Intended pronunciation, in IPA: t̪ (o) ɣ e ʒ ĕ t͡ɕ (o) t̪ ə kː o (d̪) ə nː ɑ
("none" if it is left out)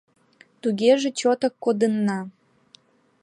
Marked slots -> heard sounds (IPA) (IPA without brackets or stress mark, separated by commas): u, o, d̪